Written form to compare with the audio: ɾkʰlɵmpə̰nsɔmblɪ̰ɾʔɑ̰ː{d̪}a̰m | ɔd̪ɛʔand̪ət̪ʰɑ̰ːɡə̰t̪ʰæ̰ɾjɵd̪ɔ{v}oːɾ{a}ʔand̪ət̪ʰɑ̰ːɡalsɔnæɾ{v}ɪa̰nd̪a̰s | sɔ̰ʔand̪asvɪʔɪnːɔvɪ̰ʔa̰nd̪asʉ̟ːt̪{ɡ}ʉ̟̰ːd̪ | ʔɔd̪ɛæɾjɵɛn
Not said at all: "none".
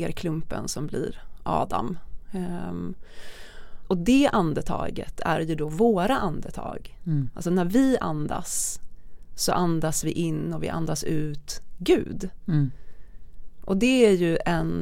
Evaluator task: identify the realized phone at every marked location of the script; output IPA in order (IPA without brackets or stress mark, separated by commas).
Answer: d̪, v, a, v, ɡ